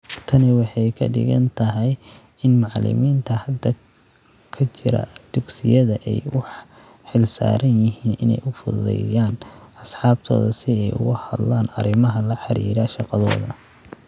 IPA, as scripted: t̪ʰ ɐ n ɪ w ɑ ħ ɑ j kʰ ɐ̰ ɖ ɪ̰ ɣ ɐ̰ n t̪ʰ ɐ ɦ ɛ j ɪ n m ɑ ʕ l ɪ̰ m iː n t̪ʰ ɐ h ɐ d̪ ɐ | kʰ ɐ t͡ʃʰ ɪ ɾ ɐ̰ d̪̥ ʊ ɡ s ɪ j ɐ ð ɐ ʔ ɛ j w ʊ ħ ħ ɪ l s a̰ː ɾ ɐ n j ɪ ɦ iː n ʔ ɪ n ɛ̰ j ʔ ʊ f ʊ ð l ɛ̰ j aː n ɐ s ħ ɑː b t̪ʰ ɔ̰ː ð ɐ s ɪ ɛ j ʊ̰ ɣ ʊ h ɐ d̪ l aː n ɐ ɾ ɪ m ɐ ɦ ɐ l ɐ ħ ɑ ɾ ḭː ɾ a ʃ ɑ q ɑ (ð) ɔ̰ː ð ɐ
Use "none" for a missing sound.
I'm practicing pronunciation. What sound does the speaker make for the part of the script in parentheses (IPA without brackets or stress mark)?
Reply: ð